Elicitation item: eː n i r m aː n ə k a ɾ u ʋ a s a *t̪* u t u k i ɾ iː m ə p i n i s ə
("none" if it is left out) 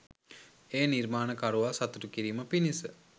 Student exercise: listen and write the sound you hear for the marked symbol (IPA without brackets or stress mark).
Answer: t̪